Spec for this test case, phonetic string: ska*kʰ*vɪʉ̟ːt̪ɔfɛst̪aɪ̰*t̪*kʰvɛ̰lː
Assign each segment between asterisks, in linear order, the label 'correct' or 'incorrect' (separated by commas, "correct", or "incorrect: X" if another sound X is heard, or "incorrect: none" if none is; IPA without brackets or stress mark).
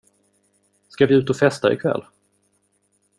incorrect: none, incorrect: none